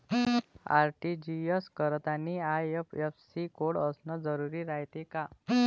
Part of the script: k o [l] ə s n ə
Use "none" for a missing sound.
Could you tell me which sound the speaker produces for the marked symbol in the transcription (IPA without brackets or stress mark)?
ɽ